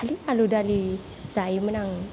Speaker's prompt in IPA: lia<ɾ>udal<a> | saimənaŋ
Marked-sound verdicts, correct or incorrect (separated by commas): incorrect, incorrect